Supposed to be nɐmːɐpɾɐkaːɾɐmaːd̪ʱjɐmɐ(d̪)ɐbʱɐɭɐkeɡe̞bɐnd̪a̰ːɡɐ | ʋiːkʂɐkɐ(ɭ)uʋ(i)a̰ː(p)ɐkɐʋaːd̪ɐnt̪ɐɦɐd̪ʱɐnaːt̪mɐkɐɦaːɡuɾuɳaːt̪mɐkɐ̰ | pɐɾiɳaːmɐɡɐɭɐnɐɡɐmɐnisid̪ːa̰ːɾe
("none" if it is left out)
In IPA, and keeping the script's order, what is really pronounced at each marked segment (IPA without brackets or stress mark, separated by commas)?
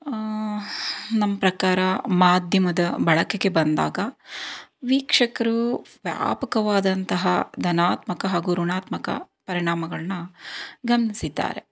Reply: d̪, ɾ, j, p